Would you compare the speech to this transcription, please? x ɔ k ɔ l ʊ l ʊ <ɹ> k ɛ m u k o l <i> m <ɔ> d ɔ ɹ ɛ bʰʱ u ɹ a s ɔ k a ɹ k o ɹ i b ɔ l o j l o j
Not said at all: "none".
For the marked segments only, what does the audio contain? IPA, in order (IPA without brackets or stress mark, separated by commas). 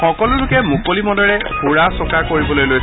none, i, ɔ